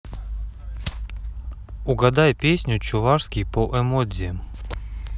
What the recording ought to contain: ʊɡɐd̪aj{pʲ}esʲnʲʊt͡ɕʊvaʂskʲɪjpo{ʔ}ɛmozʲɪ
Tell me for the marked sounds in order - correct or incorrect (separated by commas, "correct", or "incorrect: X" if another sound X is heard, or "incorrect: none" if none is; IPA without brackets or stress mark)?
correct, correct